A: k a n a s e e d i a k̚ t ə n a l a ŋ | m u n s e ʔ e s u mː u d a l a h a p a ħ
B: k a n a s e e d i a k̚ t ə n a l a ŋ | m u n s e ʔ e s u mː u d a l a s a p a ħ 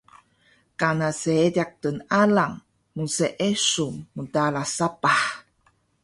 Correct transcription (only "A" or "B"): B